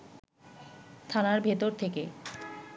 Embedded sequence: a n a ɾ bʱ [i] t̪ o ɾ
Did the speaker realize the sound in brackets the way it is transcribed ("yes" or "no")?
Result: no